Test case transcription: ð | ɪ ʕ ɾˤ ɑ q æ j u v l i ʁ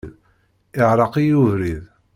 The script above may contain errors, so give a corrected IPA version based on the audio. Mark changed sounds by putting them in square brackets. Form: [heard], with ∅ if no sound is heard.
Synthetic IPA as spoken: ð | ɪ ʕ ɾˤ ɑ q [i] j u v [ɾ] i [ð]